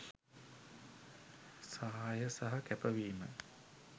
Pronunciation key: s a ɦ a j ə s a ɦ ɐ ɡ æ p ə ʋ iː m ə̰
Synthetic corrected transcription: s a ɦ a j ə s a ɦ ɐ k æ p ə ʋ iː m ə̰